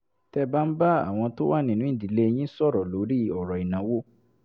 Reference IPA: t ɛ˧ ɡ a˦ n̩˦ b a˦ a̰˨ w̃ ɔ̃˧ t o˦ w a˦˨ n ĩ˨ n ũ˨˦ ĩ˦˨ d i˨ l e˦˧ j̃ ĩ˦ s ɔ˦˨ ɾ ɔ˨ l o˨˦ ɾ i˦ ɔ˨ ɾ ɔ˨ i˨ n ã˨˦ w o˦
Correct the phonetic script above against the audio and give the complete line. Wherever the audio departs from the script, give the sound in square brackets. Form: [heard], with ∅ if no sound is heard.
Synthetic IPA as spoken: t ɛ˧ [b] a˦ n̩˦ b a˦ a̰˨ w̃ ɔ̃˧ t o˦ w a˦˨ n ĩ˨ n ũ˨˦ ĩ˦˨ d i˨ l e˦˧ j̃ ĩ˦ s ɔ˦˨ ɾ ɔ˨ l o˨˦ ɾ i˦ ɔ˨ ɾ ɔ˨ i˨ n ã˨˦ w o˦